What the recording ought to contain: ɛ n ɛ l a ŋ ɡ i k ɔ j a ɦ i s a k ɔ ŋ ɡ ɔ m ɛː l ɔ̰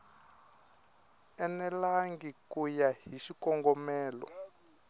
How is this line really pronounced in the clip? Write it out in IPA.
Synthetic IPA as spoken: ɛ n ɛ l a ŋ ɡ i k u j a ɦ i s i k ɔ ŋ ɡ ɔ m ɛː l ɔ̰

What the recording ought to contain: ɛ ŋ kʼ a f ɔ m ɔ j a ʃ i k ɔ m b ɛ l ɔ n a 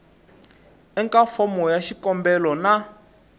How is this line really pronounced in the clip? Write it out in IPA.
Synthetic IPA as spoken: ɛ ŋ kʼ a f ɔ m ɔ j a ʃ i k ɔ m b ɛ l ɔ n a

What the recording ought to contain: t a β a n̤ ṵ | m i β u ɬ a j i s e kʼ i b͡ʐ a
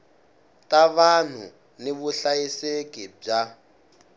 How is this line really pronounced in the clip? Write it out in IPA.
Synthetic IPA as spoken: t a β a n̤ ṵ | n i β u ɬ a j i s e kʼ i b͡ʐ a

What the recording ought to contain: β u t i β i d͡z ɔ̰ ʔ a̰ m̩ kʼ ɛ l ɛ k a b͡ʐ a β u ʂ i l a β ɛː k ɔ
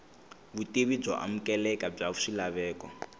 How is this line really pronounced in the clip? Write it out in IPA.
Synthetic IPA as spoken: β u t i β i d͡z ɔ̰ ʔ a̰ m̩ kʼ ɛ l ɛ k a b͡ʐ a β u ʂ i l a β ɛː k ɔ

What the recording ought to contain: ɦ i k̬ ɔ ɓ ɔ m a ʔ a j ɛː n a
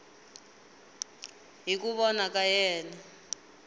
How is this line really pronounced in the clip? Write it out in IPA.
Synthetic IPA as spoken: ɦ i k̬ u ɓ ɔ n a k a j ɛː n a

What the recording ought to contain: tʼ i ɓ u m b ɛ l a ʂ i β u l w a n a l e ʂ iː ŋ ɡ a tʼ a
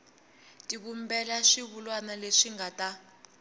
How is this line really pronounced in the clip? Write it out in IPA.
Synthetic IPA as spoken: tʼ i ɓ u m b ɛ l a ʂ i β u l w a n a l e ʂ i ŋ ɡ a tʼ a

